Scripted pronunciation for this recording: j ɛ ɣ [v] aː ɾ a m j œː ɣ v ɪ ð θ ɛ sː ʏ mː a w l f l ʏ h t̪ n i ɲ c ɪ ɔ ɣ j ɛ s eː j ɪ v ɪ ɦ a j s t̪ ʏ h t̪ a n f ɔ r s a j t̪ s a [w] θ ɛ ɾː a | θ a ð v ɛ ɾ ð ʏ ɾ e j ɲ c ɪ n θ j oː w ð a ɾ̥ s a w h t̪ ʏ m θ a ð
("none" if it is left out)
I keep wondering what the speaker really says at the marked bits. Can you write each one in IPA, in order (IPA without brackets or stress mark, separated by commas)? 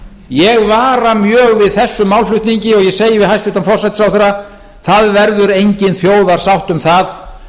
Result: v, w